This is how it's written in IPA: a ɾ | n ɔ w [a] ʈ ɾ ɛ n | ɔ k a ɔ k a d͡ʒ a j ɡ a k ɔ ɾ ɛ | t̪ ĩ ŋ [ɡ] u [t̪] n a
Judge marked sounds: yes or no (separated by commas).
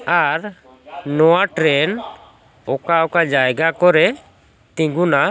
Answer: yes, yes, no